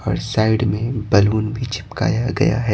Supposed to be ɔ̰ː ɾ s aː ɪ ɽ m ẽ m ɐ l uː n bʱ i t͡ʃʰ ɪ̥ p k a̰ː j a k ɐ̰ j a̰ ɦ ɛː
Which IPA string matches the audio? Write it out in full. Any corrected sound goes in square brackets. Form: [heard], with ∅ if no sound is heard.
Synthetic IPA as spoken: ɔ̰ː ɾ s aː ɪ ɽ m ẽ [b] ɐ l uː n bʱ i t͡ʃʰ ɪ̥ p k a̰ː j a [ɡ] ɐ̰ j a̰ ɦ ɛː